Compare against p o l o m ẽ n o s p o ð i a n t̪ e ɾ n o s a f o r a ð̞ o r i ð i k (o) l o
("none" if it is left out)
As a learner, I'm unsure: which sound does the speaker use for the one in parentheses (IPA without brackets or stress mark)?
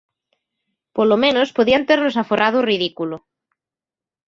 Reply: u